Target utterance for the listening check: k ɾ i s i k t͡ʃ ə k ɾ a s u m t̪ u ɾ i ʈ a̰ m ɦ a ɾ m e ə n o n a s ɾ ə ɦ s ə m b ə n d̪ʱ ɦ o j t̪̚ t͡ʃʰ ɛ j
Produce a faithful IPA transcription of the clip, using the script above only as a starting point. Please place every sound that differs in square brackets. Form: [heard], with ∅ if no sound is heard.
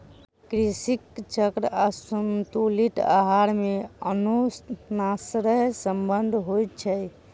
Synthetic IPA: k ɾ i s i k t͡ʃ ə k ɾ a s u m t̪ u [l] i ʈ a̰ [∅] ɦ a ɾ m e ə n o n a s ɾ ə ɦ s ə m b ə n d̪ʱ ɦ o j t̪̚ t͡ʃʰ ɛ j